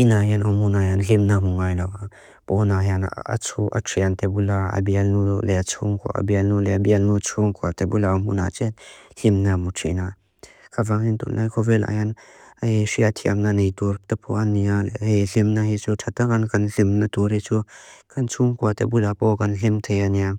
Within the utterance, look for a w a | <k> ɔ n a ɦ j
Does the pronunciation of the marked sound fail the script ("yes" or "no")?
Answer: yes